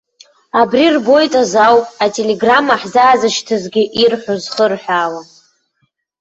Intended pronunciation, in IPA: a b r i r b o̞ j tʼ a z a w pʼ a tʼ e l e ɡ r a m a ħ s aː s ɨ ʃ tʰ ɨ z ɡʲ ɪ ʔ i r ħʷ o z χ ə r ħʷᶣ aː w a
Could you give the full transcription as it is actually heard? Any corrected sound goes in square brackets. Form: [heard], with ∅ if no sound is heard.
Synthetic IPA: a b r i r b o̞ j tʼ a z a w pʼ a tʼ e l e ɡ r a m a ħ [z] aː [z] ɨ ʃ tʰ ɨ z ɡʲ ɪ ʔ i r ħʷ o z χ ə r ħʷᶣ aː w a